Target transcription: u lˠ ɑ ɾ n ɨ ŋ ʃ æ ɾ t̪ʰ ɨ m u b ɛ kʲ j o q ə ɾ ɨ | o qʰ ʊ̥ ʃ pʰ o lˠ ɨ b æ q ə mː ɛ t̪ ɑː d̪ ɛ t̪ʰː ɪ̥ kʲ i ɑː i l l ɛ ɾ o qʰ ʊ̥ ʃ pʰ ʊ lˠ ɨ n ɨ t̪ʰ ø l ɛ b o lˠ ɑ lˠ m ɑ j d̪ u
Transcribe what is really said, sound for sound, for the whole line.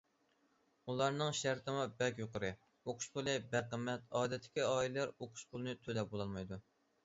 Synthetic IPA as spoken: u lˠ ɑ ɾ n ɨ ŋ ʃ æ ɾ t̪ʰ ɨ m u b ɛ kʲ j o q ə ɾ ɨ | o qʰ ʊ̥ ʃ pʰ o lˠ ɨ b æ q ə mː ɛ t̪ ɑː d̪ ɛ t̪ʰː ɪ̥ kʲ i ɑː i l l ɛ ɾ o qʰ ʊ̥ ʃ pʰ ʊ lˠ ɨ n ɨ t̪ʰ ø l ɛ b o lˠ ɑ lˠ m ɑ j d̪ u

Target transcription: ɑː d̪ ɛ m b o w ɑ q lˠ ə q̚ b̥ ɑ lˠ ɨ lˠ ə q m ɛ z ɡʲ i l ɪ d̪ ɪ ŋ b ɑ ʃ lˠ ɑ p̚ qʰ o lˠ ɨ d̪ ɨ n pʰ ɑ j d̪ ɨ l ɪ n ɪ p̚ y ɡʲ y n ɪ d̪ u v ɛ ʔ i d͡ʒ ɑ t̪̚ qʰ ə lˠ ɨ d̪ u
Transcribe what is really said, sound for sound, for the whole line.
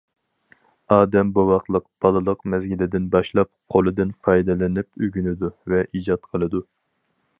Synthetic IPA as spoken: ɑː d̪ ɛ m b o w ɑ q lˠ ə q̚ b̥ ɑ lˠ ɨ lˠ ə q m ɛ z ɡʲ i l ɪ d̪ ɪ n b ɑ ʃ lˠ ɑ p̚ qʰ o lˠ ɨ d̪ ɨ n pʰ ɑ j d̪ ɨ l ɪ n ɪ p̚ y ɡʲ y n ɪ d̪ u v ɛ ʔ i d͡ʒ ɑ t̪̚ qʰ ə lˠ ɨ d̪ u

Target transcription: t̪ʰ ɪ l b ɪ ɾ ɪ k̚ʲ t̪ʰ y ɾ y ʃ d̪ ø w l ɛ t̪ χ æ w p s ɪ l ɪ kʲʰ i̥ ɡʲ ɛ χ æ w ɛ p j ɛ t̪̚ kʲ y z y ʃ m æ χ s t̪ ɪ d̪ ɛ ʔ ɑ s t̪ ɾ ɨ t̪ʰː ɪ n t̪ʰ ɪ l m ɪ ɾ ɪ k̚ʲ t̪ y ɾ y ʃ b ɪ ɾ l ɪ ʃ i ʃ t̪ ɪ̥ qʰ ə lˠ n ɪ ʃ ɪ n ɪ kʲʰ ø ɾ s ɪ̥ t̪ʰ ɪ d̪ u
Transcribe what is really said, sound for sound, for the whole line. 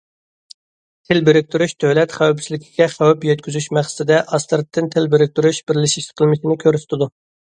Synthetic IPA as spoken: t̪ʰ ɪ l b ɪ ɾ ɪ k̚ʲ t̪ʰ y ɾ y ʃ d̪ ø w l ɛ t̪ χ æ w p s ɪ l ɪ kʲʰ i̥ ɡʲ ɛ χ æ w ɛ p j ɛ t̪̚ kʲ y z y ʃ m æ χ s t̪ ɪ d̪ ɛ ʔ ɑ s t̪ ɾ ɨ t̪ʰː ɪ n t̪ʰ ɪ l b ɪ ɾ ɪ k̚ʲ t̪ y ɾ y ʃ b ɪ ɾ l ɪ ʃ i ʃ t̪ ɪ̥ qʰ ə lˠ m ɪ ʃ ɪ n ɪ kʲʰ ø ɾ s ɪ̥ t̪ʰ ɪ d̪ u

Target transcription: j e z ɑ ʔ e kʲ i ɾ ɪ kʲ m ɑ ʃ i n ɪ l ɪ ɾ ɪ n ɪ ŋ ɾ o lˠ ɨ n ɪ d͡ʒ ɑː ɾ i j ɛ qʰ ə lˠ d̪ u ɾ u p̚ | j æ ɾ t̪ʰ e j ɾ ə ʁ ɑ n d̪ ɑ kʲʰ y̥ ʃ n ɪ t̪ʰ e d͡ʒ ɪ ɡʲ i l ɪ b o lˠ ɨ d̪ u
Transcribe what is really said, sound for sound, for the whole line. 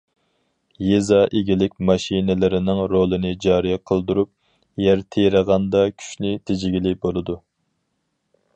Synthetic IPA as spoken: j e z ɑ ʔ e ɡʲ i l ɪ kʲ m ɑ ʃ i n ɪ l ɪ ɾ ɪ n ɪ ŋ ɾ o lˠ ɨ n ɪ d͡ʒ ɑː ɾ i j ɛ qʰ ə lˠ d̪ u ɾ u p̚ | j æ ɾ t̪ʰ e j ɾ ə ʁ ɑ n d̪ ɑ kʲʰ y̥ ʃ n ɪ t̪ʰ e d͡ʒ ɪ ɡʲ i l ɪ b o lˠ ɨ d̪ u

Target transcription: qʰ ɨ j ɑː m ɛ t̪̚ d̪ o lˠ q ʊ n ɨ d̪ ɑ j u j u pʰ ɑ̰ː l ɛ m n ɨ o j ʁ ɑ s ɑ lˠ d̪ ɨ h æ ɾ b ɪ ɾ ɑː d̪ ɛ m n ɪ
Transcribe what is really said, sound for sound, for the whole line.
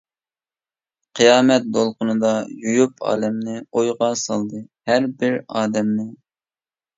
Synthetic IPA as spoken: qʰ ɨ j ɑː m ɛ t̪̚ d̪ o lˠ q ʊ n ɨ d̪ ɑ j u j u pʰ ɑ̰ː l ɛ m n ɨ o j ʁ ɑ s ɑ lˠ d̪ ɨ h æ ɾ b ɪ ɾ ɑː d̪ ɛ m n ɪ

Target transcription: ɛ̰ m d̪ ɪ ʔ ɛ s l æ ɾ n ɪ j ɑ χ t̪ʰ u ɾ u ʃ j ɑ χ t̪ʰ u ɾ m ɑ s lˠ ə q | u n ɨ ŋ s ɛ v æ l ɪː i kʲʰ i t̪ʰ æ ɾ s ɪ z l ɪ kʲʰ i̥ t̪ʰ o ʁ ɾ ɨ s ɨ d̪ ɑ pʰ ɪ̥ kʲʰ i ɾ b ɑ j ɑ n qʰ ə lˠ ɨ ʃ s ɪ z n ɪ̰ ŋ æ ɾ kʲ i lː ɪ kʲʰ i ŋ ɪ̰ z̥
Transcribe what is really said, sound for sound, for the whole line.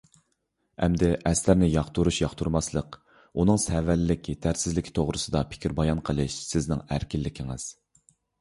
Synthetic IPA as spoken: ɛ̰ m d̪ ɪ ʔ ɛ s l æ ɾ n ɪ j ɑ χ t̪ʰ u ɾ u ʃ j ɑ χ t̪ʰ u ɾ m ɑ s lˠ ə q | u n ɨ ŋ s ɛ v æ l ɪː ɪ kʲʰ i t̪ʰ æ ɾ s ɪ z l ɪ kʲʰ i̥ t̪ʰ o ʁ ɾ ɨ s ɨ d̪ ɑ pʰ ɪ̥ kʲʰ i ɾ b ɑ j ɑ n qʰ ə lˠ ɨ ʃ s ɪ z n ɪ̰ ŋ æ ɾ kʲ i lː ɪ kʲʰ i ŋ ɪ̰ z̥

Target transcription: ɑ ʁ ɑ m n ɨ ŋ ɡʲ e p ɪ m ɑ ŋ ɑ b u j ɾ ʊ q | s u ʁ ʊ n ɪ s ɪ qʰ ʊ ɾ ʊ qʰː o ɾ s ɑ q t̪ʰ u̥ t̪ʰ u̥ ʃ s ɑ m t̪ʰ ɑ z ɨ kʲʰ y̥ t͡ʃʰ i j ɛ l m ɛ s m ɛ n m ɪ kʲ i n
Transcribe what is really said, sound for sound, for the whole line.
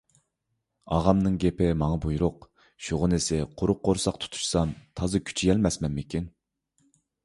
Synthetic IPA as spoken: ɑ ʁ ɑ m n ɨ ŋ ɡʲ e p ɪ m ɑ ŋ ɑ b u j ɾ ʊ q | ʃ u ʁ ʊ n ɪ s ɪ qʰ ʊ ɾ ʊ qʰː o ɾ s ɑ q t̪ʰ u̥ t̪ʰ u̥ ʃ s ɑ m t̪ʰ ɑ z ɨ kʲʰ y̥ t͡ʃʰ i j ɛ l m ɛ s m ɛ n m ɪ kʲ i n

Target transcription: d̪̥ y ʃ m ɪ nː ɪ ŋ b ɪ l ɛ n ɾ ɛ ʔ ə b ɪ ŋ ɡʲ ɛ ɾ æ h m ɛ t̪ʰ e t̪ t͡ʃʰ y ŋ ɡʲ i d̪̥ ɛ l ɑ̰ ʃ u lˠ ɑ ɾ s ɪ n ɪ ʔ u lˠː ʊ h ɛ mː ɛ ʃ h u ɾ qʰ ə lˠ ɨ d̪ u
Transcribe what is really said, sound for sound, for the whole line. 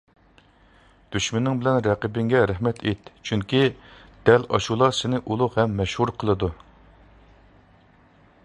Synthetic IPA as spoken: d̪̥ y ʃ m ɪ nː ɪ ŋ b ɪ l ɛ n ɾ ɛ q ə b ɪ ŋ ɡʲ ɛ ɾ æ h m ɛ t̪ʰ e t̪ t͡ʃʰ y ŋ kʲ i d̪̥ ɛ l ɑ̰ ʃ u lˠ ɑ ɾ s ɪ n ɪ ʔ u lˠ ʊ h ɛ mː ɛ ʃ h u ɾ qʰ ə lˠ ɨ d̪ u

